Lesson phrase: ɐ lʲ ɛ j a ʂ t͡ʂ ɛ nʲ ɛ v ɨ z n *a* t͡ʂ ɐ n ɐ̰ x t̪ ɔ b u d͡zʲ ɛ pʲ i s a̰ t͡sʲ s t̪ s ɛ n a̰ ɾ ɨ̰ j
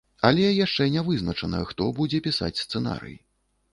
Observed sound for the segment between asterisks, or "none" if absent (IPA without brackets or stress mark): ɐ